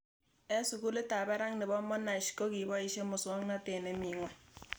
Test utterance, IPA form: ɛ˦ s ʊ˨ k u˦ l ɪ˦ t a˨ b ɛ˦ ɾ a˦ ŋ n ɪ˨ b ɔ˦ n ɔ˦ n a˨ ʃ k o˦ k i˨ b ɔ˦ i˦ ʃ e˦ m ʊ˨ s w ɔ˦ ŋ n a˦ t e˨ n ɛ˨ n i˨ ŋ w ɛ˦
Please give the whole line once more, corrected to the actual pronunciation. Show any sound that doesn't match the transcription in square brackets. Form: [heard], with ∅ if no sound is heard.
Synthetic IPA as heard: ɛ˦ s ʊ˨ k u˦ l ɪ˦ t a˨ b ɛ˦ ɾ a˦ ŋ n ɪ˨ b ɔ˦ [m] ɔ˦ n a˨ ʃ k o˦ k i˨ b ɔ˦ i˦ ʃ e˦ m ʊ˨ s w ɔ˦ ŋ n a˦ t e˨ n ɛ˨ [m] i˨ ŋ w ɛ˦